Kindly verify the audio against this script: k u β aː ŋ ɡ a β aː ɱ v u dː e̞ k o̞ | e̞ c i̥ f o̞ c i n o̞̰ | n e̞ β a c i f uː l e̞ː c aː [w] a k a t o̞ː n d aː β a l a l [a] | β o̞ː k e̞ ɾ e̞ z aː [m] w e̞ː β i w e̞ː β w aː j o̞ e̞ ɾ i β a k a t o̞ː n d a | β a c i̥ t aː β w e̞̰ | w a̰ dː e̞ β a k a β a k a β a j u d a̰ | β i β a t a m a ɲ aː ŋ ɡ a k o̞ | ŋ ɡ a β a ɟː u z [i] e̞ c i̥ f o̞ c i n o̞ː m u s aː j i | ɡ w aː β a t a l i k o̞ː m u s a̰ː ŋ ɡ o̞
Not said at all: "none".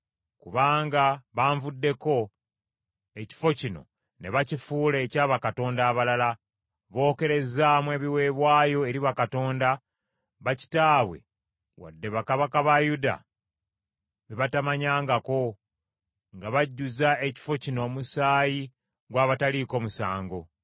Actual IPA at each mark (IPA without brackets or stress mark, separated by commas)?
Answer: β, a, m, a